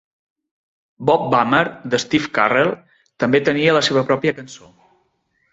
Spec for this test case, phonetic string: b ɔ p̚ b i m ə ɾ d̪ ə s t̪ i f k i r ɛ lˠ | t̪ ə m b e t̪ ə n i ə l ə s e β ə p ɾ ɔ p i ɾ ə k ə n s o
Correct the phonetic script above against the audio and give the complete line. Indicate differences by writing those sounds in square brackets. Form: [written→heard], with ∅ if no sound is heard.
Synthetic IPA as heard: b ɔ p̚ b [i→a] m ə ɾ d̪ ə s t̪ i f k [i→a] r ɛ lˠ | t̪ ə m b e t̪ ə n i ə l ə s e β ə p ɾ ɔ p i [ɾ→∅] ə k ə n s o